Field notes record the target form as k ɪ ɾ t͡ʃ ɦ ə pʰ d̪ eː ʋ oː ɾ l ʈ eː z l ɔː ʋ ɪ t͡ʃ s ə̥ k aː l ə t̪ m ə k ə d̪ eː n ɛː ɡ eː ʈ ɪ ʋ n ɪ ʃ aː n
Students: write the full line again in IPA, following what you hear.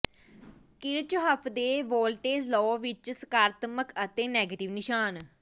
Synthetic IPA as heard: k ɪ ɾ t͡ʃ ɦ ə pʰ d̪ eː ʋ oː l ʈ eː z l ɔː ʋ ɪ t͡ʃ s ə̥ k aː ɾ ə t̪ m ə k ə t̪ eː n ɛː ɡ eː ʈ ɪ ʋ n ɪ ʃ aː n